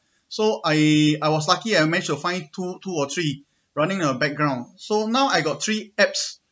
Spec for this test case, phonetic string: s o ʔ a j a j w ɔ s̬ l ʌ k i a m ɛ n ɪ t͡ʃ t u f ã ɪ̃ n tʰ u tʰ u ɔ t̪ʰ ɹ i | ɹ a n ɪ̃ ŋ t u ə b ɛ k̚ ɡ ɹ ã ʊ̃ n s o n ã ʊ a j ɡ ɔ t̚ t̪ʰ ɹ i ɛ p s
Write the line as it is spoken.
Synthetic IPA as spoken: s o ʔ a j a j w ɔ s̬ l a k i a m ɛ n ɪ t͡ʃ t u f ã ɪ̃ n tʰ u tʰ u ɔ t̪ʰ ɹ i | ɹ a n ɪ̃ ŋ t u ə b ɛ k̚ ɡ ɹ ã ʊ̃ n s o n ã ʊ a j ɡ ɔ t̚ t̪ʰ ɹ i ɛ p s